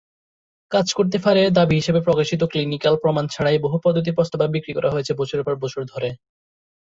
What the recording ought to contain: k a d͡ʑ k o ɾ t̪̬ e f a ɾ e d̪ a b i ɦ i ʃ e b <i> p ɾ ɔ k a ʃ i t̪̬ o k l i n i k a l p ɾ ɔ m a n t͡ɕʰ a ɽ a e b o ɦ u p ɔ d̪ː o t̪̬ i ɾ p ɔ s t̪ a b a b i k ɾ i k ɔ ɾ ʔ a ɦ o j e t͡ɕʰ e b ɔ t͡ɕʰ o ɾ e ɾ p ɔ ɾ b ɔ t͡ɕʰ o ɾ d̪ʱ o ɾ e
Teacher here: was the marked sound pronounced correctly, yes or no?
no